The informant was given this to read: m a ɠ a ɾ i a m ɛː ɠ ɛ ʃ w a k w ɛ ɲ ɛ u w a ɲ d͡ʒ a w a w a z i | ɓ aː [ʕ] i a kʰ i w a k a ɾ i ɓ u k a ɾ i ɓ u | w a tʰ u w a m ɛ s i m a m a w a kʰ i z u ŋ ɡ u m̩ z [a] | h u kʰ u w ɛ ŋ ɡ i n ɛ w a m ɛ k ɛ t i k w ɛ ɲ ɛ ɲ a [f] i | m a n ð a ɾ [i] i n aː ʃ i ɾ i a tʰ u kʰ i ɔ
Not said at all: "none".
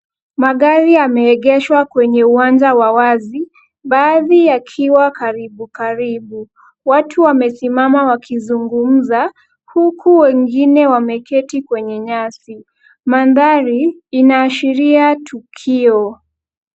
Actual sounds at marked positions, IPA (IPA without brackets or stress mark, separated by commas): ð, a, s, i